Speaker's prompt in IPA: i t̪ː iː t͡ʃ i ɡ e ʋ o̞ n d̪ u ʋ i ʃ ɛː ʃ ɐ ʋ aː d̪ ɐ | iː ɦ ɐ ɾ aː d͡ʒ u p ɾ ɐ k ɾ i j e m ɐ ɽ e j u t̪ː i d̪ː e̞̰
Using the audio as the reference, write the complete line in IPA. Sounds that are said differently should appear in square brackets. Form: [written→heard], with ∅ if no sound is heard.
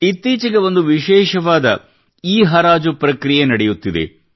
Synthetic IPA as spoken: i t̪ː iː t͡ʃ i ɡ e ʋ o̞ n d̪ u ʋ i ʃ ɛː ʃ ɐ ʋ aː d̪ ɐ | iː ɦ ɐ ɾ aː d͡ʒ u p ɾ ɐ k ɾ i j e [m→n] ɐ ɽ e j u t̪ː i [d̪ː→d̪] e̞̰